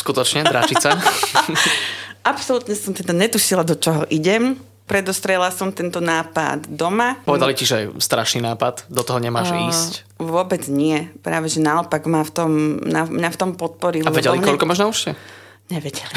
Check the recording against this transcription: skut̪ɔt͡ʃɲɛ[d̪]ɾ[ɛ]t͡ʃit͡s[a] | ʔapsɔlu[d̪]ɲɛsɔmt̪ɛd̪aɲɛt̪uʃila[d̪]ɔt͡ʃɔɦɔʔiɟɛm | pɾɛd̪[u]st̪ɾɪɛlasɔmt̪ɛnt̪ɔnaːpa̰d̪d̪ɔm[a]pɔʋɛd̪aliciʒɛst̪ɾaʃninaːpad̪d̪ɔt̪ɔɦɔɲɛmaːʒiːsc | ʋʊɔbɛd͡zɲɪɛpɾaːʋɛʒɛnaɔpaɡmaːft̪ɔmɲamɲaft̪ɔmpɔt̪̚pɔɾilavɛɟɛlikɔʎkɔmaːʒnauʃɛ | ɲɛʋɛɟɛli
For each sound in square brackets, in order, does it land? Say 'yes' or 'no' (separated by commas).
yes, no, yes, no, yes, no, yes